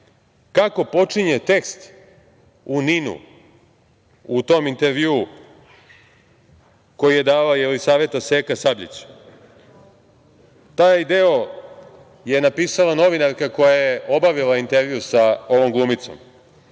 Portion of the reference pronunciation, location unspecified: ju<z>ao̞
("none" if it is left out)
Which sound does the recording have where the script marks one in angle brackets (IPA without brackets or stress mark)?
s